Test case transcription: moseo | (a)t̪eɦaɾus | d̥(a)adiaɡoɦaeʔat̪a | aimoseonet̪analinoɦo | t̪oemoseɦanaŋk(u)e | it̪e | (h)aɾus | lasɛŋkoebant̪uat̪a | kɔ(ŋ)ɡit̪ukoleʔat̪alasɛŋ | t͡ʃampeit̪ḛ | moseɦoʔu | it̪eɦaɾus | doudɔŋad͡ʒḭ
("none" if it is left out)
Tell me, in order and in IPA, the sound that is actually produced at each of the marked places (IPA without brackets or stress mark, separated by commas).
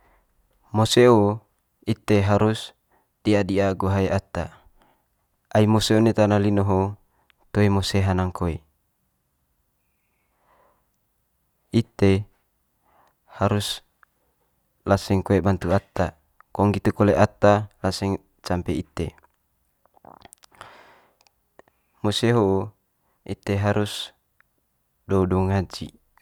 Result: i, i, o, h, ŋ